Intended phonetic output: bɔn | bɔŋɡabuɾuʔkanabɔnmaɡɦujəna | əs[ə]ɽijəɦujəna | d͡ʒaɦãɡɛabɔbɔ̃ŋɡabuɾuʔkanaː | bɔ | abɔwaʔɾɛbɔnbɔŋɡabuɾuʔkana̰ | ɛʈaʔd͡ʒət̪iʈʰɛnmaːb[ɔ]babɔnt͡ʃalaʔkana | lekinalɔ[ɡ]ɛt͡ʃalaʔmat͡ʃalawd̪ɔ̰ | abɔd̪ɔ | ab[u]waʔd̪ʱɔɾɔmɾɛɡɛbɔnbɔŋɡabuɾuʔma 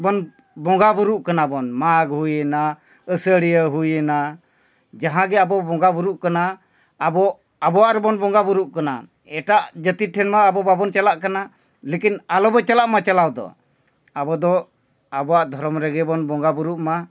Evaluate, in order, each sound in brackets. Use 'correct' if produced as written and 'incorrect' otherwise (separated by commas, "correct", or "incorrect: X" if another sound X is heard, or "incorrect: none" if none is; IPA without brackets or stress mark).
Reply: correct, correct, incorrect: b, incorrect: ɔ